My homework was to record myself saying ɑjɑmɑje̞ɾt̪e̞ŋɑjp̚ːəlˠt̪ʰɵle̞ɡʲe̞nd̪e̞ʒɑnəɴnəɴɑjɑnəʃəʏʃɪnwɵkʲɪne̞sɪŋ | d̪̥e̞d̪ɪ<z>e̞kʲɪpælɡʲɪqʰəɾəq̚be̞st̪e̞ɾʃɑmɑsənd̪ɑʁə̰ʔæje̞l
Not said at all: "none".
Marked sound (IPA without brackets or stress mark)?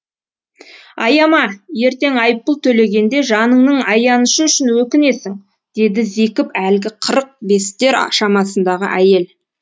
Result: z